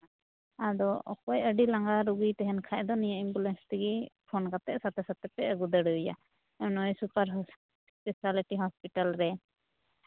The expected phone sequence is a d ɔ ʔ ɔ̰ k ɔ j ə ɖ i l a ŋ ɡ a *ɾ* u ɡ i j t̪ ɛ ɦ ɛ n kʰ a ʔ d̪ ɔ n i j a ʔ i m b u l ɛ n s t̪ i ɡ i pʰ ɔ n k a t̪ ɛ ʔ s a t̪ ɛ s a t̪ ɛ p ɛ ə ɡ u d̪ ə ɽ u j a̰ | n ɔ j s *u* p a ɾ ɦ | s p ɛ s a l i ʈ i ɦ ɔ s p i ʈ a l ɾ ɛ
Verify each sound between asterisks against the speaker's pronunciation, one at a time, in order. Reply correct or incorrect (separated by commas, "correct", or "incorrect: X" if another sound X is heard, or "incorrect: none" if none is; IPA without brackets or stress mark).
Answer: correct, correct